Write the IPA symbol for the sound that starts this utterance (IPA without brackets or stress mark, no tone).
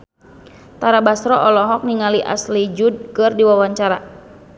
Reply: t̪